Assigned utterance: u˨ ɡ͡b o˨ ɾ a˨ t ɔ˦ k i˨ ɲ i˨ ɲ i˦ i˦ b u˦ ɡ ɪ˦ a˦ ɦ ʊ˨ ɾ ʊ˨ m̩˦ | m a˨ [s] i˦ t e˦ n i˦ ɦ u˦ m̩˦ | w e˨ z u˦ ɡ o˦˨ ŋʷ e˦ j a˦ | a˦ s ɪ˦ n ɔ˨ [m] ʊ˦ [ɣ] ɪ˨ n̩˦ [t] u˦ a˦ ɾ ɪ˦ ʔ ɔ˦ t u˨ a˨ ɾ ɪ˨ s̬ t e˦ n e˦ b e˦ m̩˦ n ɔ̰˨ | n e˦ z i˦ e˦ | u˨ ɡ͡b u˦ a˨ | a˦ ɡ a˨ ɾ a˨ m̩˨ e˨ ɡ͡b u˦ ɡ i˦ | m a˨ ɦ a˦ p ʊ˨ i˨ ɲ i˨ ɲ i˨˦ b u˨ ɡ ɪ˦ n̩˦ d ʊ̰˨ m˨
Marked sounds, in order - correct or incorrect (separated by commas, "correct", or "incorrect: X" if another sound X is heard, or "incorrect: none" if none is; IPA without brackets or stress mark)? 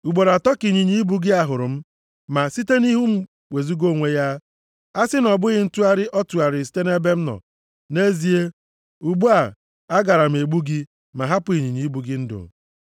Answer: correct, incorrect: b, correct, correct